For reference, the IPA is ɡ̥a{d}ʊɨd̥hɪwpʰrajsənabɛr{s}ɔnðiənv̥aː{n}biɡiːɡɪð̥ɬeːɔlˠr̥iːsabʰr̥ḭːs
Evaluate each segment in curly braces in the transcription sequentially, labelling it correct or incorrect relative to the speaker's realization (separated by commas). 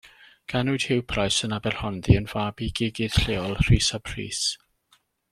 incorrect, incorrect, incorrect